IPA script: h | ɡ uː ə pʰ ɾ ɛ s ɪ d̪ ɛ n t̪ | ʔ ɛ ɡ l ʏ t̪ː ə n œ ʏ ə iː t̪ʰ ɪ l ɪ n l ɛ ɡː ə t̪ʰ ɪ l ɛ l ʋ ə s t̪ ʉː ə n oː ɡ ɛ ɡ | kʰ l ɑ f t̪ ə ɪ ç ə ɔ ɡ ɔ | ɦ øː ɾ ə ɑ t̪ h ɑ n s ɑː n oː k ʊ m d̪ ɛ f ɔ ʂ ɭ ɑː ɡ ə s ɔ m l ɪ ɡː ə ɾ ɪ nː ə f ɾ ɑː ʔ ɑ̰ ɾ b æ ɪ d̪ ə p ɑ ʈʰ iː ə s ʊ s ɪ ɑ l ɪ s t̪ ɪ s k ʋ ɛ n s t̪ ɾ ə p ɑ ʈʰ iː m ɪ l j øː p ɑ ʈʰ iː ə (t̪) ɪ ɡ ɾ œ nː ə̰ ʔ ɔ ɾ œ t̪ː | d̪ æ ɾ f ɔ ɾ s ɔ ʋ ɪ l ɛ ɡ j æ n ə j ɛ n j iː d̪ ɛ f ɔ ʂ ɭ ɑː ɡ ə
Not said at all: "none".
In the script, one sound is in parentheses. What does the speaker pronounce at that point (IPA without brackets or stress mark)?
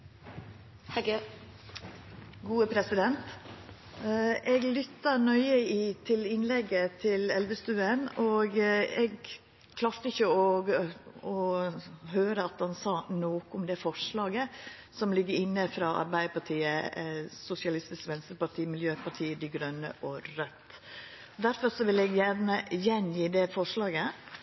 d̪